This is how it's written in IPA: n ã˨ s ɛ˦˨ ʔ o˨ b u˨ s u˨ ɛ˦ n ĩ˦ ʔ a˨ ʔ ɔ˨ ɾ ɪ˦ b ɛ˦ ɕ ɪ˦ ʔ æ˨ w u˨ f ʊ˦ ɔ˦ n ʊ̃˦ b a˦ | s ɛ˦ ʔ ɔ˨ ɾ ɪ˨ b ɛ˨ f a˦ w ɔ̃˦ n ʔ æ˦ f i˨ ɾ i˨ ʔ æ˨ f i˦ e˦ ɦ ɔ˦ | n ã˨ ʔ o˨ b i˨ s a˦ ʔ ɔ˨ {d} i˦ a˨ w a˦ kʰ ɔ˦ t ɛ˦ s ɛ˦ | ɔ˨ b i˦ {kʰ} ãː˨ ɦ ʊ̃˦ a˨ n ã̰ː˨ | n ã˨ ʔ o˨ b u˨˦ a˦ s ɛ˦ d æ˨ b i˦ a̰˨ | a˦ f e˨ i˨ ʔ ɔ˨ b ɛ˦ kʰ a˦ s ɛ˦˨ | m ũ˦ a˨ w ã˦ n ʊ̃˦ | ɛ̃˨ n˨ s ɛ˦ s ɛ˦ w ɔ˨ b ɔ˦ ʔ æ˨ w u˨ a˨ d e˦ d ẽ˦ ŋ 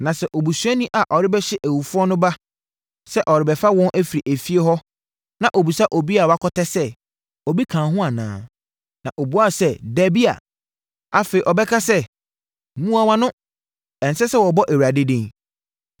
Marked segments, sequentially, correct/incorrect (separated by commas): incorrect, correct